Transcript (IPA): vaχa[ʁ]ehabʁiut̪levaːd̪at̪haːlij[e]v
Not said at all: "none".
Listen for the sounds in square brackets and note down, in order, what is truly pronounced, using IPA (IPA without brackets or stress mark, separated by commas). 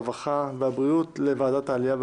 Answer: v, a